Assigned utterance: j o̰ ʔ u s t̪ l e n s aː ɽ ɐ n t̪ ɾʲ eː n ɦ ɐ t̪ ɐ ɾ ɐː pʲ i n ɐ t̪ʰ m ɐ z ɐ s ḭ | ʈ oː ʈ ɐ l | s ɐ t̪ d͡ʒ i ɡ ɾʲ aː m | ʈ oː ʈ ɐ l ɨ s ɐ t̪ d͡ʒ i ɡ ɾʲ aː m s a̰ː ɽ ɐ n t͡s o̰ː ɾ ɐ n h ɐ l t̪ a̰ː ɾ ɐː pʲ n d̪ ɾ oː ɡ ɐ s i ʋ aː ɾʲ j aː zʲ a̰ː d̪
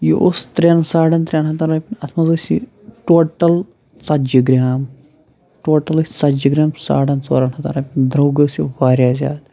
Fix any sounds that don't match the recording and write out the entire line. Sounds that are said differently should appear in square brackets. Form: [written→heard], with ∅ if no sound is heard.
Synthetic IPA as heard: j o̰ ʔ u s t̪ [l→ɾ] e n s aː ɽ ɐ n t̪ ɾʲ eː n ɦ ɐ t̪ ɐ ɾ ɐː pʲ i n ɐ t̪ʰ m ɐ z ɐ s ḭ | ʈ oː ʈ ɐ l | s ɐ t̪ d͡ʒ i ɡ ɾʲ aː m | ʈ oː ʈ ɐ l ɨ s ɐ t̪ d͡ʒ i ɡ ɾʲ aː m s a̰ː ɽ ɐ n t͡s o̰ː ɾ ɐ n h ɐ [l→∅] t̪ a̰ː ɾ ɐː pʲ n d̪ ɾ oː ɡ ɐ s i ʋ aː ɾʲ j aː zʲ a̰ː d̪

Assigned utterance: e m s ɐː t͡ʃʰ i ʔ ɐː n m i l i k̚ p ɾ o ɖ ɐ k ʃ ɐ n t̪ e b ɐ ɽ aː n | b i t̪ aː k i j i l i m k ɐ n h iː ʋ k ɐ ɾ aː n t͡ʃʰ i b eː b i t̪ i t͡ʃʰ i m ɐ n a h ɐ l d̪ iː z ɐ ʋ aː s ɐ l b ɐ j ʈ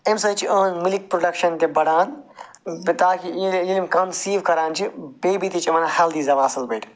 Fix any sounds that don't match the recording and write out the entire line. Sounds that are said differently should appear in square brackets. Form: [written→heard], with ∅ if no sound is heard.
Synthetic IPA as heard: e m s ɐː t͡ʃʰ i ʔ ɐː n m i l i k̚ p ɾ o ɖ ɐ k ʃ ɐ n t̪ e b ɐ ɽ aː n | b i t̪ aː k i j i l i m k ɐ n [h→s] iː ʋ k ɐ ɾ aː n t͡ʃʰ i b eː b i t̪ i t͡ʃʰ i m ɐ n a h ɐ l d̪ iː z ɐ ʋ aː s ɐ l b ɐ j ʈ

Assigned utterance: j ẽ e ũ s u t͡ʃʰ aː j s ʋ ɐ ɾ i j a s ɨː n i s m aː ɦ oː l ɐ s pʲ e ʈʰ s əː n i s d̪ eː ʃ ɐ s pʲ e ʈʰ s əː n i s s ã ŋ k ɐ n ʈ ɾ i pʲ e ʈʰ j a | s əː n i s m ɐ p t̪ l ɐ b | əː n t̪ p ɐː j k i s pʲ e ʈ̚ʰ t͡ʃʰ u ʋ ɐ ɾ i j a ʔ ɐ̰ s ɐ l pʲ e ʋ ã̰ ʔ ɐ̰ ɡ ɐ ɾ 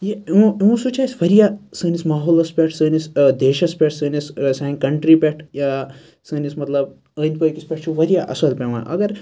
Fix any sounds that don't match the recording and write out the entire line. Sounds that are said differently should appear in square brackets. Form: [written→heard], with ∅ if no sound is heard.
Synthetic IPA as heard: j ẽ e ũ s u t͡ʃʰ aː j s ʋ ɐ ɾ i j a s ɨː n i s m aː ɦ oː l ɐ s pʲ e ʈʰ s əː n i s d̪ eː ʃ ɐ s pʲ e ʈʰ s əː n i s s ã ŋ k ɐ [n→ɳ] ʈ ɾ i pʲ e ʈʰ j a | s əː n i s m ɐ [p→∅] t̪ l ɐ b | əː n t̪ p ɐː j k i s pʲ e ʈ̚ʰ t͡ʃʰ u ʋ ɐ ɾ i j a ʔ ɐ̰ s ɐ l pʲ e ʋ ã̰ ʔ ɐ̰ ɡ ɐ ɾ

